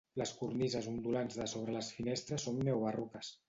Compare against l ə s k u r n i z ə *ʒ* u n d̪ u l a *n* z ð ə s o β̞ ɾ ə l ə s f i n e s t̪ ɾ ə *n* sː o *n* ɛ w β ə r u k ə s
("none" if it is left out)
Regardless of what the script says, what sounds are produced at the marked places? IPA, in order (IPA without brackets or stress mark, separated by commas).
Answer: z, n, none, nː